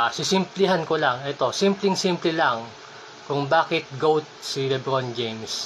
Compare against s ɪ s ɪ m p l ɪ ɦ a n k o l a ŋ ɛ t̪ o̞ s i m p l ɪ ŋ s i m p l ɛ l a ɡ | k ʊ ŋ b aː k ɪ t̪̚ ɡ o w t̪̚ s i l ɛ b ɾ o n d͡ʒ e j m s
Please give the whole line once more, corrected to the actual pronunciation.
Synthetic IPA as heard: s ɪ s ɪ m p l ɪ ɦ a n k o l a ŋ ɛ t̪ o̞ s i m p l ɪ ŋ s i m p l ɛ l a ŋ | k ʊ ŋ b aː k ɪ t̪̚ ɡ o w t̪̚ s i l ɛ b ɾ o n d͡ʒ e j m s